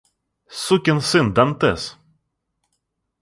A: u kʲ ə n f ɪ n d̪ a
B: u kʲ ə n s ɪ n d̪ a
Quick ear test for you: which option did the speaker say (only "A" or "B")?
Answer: B